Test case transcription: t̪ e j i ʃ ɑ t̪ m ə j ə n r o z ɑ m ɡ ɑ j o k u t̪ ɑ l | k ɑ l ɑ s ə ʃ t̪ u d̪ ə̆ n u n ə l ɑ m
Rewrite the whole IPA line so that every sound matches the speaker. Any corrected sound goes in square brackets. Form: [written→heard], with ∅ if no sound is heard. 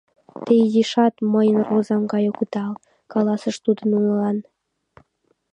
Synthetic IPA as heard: t̪ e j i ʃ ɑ t̪ m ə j ə n r o z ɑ m ɡ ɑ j o k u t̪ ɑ l | k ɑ l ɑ s ə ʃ t̪ u d̪ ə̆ n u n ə l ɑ [m→n]